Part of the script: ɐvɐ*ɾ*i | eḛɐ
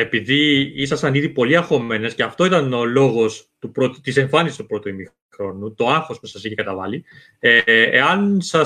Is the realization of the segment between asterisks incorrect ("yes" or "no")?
yes